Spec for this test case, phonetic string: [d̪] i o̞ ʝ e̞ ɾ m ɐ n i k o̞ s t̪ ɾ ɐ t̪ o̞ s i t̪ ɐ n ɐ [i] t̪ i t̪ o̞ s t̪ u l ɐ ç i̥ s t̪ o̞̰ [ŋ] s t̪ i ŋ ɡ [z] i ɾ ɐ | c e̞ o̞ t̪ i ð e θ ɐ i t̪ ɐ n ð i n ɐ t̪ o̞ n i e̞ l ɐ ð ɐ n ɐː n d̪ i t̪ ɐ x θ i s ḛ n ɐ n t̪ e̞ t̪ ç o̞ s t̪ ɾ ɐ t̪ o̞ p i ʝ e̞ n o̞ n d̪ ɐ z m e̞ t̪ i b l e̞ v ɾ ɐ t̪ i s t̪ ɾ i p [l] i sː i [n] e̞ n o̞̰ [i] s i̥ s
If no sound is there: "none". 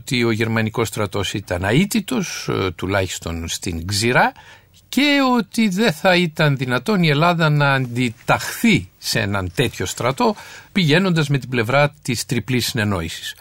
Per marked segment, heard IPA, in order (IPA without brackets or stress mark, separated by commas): t̪, i, n, z, l, n, i